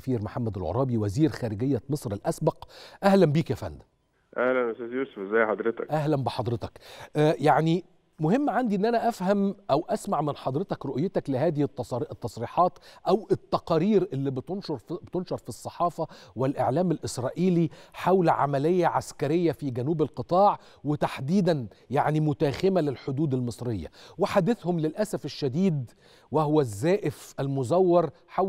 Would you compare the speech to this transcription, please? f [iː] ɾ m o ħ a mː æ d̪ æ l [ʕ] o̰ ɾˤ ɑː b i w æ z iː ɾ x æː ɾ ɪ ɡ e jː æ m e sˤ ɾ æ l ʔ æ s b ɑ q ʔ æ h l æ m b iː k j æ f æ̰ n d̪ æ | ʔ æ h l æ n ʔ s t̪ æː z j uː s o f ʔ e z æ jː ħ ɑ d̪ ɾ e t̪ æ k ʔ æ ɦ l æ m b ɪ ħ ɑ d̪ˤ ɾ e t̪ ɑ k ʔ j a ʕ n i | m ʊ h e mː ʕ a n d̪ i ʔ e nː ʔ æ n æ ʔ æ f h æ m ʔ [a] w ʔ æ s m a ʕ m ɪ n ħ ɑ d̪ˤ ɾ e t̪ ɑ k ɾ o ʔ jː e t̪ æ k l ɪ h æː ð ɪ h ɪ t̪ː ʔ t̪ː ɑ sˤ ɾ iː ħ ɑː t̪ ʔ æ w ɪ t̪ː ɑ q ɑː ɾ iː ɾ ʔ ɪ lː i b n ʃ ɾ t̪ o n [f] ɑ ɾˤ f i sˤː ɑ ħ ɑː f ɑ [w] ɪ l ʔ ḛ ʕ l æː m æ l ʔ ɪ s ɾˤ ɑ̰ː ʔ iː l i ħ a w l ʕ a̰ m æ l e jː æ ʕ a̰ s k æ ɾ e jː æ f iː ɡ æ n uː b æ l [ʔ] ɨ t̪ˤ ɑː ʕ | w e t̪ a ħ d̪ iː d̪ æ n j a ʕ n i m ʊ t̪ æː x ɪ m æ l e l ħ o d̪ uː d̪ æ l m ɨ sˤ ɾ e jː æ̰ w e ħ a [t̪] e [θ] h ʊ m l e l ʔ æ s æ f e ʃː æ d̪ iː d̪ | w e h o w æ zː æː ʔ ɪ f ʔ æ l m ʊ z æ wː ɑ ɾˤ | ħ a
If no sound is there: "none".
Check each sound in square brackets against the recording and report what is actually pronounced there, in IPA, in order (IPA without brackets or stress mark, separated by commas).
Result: iː, ʕ, æ, ʃ, w, q, d̪, θ